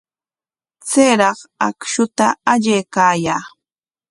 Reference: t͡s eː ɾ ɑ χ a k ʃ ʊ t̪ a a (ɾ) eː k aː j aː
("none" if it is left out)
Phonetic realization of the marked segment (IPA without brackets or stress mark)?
ʎ